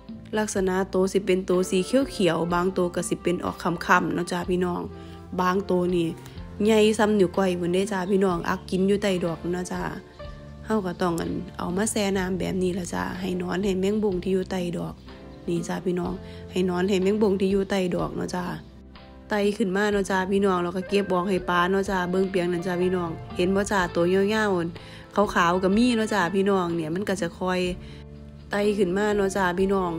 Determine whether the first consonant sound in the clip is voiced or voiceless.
voiced